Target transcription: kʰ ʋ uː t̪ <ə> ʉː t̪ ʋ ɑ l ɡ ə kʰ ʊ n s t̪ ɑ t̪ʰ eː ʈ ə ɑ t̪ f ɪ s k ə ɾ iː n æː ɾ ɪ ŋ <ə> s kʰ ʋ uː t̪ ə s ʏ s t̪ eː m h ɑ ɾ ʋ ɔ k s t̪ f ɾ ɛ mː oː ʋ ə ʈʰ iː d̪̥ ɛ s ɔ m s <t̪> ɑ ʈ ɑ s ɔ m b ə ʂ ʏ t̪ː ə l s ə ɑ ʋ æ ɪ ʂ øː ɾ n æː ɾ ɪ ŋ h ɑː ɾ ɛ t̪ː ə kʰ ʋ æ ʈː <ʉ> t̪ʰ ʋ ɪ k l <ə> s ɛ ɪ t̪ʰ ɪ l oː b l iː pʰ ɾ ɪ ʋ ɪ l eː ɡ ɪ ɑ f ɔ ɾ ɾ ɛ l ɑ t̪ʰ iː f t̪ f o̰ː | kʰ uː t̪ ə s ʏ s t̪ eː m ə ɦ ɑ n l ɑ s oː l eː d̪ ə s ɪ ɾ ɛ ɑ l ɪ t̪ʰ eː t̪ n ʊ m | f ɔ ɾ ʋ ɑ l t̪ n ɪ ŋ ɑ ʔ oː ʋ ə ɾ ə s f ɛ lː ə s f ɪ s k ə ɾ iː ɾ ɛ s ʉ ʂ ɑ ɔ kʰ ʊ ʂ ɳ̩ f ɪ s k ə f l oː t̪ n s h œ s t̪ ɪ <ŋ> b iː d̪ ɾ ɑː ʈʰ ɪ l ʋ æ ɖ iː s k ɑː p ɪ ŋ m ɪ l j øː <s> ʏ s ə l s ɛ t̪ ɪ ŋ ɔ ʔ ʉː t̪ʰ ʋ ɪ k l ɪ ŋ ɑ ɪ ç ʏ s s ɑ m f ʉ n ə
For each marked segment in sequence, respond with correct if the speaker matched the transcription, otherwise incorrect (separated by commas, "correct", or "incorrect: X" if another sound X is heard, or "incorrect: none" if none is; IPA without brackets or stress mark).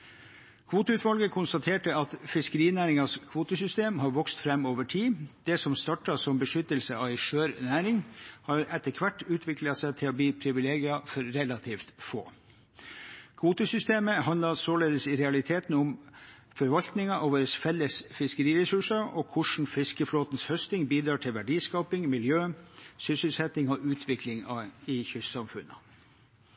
correct, incorrect: ɑ, correct, incorrect: ʉː, incorrect: ɑ, correct, correct